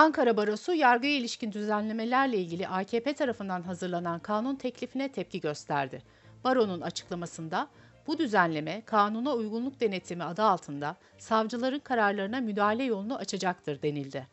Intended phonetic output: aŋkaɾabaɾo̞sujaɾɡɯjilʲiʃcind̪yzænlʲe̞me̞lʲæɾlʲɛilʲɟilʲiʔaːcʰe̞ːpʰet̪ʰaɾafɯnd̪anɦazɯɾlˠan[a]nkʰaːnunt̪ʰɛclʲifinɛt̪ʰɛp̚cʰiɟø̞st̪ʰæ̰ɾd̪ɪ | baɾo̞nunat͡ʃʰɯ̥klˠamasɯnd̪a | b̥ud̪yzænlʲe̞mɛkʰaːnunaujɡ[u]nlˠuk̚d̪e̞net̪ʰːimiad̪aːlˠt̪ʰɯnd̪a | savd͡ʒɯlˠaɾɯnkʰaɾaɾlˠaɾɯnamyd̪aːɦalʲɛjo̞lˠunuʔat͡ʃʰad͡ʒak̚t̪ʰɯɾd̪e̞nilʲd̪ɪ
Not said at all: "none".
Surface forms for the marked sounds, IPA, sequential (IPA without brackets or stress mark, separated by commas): a, u